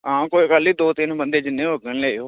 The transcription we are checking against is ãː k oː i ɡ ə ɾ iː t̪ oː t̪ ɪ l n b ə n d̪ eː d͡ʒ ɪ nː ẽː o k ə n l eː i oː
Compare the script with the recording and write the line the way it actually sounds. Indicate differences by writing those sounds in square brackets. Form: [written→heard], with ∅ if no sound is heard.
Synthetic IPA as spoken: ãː k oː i [ɡ→k] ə [ɾ→l] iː [t̪→d̪] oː t̪ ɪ [l→∅] n b ə n d̪ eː d͡ʒ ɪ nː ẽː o [k→ɡ] ə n l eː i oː